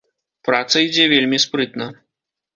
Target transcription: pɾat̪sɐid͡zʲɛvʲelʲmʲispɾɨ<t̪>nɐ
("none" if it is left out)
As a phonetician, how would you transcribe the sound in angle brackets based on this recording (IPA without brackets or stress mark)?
t̪